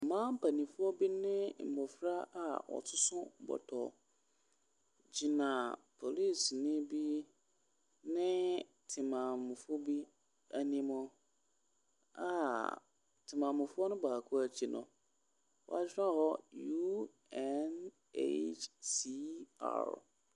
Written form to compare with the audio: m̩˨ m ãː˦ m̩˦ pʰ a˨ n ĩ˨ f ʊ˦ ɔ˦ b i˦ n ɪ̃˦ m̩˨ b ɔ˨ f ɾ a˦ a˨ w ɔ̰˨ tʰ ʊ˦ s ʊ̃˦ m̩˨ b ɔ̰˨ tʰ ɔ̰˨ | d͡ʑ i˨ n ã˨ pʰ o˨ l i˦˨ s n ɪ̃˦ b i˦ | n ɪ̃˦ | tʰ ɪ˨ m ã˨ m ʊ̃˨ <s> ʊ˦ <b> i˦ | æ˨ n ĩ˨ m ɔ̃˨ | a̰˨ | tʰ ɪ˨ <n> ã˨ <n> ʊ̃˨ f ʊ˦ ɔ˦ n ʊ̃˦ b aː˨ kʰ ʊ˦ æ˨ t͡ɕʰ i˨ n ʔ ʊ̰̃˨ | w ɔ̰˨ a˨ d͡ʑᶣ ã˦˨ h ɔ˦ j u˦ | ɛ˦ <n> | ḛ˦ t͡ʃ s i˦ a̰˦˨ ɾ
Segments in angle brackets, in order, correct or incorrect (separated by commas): incorrect, correct, incorrect, incorrect, correct